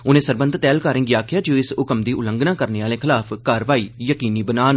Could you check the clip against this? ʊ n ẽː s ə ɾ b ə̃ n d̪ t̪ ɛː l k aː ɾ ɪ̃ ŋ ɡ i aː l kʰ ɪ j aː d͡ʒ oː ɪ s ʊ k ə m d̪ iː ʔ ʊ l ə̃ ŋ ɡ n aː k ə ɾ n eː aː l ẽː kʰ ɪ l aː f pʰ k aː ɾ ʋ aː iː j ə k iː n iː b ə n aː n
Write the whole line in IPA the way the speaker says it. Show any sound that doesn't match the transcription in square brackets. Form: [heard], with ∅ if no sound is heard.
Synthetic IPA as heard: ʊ n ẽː s ə ɾ b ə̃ n d̪ t̪ ɛː l k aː ɾ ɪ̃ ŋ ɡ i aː [∅] kʰ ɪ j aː d͡ʒ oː ɪ s ʊ k ə m d̪ iː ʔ ʊ l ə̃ ŋ ɡ n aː k ə ɾ n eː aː l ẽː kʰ ɪ l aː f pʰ k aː ɾ ʋ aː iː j ə k iː n iː b ə n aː n